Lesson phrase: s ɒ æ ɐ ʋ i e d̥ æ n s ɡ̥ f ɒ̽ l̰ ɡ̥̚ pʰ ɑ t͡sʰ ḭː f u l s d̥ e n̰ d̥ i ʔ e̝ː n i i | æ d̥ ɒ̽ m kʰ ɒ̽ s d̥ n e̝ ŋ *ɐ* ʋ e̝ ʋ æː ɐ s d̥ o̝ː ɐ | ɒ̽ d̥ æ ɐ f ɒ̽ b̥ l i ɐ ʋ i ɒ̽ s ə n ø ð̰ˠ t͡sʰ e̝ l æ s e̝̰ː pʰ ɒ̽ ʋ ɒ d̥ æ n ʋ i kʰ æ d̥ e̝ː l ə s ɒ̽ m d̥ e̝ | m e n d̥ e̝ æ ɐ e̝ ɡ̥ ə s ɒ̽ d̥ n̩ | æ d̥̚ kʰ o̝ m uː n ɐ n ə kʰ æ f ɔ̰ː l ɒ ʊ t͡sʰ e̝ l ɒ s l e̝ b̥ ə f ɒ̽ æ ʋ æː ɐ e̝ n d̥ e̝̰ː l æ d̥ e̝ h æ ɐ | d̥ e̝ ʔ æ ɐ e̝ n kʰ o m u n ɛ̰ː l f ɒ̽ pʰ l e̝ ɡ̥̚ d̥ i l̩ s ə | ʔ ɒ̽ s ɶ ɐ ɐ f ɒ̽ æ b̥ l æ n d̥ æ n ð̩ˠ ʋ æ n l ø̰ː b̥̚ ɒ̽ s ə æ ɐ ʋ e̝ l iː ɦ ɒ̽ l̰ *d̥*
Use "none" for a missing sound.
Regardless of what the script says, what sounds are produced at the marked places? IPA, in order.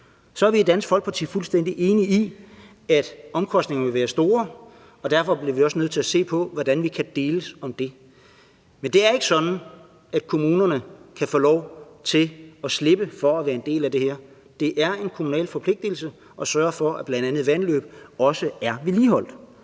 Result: ɐ, d̥

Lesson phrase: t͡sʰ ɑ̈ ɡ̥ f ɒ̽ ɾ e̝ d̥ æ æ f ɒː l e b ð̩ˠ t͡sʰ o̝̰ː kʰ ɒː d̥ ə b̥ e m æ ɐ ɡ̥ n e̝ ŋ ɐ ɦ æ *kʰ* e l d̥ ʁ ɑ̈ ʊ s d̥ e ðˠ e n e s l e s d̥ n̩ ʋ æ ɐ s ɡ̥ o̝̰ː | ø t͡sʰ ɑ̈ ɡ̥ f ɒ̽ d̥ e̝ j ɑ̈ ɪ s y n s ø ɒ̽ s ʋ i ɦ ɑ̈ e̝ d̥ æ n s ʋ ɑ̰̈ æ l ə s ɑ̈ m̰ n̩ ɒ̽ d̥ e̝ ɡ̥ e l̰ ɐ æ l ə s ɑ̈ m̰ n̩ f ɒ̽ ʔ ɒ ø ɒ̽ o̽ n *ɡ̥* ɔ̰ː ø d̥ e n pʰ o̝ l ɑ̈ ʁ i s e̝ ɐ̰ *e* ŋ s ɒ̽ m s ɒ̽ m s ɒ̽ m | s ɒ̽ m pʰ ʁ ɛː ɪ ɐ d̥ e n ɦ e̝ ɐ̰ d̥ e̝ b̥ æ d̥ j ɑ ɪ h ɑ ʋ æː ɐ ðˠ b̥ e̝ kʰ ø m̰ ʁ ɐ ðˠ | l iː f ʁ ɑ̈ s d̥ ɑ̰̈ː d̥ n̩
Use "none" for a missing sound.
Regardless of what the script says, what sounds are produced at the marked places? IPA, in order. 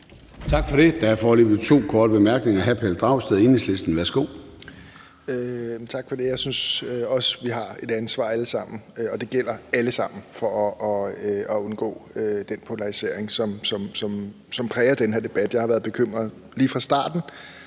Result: pʰ, ɡ̥, e

